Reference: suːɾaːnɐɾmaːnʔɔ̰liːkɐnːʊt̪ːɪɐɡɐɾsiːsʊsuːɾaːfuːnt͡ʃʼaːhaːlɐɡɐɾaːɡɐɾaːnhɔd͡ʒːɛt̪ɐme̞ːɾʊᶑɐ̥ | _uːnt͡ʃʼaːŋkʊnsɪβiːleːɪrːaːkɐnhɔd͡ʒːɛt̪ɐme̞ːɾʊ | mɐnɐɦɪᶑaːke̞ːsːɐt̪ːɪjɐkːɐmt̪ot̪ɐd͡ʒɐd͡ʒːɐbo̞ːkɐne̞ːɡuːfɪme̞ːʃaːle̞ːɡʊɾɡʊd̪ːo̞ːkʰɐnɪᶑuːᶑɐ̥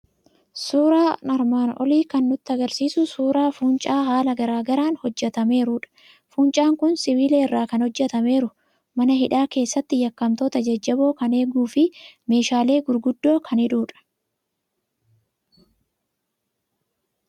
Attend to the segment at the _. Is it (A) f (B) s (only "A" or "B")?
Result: A